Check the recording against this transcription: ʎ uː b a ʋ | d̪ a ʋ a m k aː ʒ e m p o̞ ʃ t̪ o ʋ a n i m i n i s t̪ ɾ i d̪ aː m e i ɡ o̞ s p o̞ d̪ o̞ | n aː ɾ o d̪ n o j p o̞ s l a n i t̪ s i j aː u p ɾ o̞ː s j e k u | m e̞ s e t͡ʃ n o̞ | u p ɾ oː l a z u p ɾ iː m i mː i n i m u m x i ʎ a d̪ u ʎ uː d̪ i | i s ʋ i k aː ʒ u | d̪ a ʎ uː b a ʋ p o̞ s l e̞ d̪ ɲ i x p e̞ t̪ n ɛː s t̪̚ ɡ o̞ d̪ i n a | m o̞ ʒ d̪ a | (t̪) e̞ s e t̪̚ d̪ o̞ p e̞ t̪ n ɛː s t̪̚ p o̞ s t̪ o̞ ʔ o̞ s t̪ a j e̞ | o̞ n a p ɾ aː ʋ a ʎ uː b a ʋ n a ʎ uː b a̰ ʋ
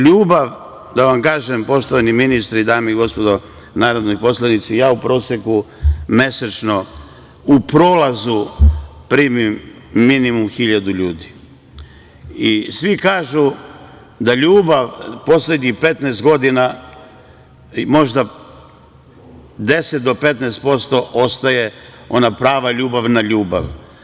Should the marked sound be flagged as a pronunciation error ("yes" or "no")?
yes